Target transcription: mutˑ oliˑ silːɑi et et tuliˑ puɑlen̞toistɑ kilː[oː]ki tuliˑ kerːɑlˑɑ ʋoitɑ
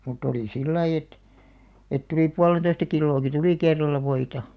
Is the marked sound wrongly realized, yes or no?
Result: no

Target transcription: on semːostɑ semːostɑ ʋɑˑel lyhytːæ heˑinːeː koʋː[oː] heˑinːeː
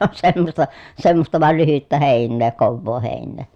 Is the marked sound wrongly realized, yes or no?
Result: no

